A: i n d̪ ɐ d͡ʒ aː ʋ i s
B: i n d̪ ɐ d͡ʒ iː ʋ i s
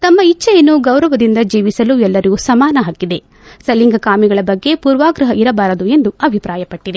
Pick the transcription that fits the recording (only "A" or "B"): B